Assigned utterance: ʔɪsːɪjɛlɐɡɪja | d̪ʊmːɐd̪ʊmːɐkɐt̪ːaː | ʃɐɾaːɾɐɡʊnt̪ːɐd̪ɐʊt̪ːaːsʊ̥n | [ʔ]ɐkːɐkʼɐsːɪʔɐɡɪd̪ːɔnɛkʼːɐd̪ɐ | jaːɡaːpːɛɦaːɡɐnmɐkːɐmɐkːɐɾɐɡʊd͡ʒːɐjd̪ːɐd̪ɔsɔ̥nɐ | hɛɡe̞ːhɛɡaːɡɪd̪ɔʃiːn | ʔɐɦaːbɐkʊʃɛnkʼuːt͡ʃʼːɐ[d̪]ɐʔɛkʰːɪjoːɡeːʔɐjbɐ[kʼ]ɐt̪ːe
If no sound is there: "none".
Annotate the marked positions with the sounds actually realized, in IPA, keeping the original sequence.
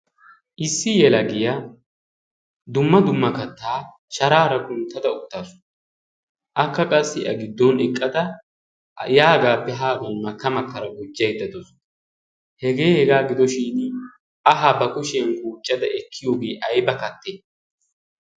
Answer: ʔ, d̪, k

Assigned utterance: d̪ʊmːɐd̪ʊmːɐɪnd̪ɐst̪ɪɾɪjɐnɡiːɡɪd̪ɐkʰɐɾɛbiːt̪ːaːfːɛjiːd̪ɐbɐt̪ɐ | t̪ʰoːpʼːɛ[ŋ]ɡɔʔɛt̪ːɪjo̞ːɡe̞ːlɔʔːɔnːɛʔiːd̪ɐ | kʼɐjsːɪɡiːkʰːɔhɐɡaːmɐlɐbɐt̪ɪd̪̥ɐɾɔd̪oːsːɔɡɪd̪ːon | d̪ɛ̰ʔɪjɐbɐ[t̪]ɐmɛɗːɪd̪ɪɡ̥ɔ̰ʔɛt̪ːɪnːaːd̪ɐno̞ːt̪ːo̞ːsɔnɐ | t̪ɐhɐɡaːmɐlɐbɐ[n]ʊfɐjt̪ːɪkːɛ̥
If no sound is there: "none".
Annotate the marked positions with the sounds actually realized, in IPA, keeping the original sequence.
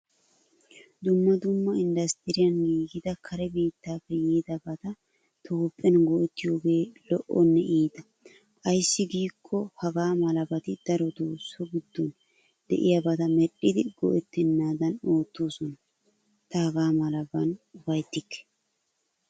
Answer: n, t̪, n

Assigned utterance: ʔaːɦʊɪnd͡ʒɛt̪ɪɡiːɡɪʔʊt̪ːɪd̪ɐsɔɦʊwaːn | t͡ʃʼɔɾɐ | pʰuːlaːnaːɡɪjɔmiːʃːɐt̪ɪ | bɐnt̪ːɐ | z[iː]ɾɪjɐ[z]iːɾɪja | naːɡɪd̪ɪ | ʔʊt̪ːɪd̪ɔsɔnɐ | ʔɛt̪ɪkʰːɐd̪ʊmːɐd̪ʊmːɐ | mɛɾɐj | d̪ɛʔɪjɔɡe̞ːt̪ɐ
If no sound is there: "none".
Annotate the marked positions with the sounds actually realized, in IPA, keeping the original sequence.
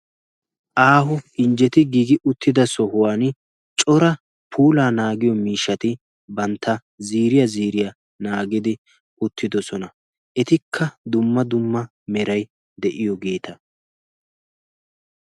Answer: iː, z

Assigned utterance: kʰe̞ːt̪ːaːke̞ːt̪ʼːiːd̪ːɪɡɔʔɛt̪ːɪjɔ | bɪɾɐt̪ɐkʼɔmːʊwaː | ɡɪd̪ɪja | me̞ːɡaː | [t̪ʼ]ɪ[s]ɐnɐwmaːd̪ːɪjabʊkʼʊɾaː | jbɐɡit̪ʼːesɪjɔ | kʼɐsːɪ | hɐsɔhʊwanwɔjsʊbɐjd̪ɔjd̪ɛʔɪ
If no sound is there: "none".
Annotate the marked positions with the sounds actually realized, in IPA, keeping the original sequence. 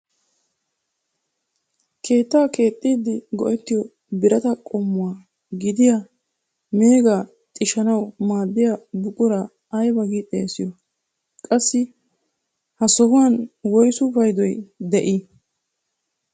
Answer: t̪ʼ, ʃ

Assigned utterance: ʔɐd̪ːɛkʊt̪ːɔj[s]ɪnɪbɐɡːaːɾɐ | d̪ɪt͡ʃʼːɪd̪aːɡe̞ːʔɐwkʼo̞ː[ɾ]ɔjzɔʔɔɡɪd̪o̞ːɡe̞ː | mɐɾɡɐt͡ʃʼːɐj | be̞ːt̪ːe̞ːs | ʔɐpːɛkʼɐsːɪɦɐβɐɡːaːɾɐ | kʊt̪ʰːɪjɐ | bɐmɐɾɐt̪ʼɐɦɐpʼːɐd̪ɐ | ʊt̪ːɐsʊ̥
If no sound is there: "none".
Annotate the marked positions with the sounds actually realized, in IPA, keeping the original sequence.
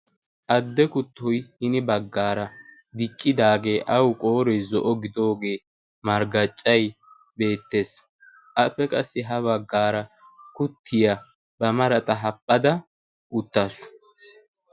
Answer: h, ɾ

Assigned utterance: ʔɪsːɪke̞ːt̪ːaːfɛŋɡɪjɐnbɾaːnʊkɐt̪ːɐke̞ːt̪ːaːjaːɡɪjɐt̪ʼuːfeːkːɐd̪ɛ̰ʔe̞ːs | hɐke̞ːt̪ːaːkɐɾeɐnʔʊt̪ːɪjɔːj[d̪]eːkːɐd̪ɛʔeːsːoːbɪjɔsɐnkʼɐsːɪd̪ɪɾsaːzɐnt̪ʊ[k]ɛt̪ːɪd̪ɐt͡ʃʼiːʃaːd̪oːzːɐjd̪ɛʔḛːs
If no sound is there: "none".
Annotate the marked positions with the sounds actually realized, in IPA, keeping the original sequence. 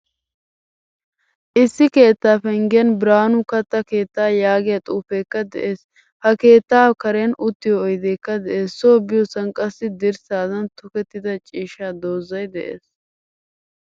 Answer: d̪, k

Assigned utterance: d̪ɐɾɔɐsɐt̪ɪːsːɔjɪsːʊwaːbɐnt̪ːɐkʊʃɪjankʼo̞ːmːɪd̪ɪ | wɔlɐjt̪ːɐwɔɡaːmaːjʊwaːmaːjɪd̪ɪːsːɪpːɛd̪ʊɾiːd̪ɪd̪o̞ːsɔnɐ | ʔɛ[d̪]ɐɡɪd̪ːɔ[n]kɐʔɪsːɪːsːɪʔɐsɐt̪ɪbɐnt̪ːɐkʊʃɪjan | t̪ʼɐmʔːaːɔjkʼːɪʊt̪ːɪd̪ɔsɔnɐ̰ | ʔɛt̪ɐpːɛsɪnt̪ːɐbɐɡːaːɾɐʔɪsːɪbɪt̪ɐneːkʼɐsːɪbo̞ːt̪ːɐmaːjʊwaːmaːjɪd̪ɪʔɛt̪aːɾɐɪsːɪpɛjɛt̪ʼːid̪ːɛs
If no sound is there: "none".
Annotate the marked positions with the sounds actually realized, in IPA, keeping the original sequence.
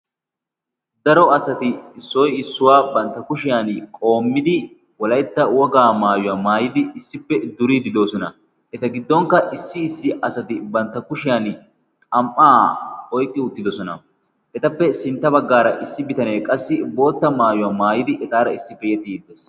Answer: t̪, ŋ

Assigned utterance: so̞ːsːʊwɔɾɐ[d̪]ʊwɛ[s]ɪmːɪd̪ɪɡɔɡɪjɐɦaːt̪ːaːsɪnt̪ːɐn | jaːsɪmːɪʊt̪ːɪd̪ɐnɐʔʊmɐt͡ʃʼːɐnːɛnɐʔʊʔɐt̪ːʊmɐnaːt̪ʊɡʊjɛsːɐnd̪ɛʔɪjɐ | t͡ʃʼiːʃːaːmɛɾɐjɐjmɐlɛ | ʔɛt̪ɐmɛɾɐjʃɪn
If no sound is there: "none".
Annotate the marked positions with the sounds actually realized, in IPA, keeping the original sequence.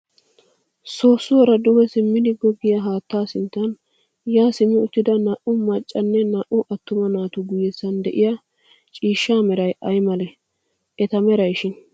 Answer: d̪, s

